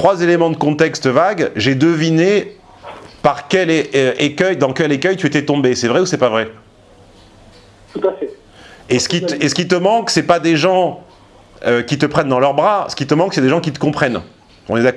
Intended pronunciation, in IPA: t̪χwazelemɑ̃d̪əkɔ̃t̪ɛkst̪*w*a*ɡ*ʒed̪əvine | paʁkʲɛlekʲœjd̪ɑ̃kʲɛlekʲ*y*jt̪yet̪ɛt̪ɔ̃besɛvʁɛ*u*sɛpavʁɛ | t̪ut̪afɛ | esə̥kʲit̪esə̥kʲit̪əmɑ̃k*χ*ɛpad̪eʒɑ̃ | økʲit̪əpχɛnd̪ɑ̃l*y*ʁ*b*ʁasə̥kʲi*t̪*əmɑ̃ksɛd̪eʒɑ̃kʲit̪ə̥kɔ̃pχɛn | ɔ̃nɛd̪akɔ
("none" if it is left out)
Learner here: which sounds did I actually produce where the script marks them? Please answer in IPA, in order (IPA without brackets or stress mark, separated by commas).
v, ɡ, œ, u, s, œ, b, t̪